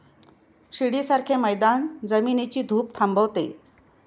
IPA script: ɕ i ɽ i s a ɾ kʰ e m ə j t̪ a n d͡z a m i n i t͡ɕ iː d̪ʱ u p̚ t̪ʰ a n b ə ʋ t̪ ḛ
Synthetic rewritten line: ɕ i ɽ i s a ɾ kʰ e m ə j d̪ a n d͡z ə m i n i t͡ɕ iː d̪ʱ uː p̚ t̪ʰ a m b ə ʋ t̪ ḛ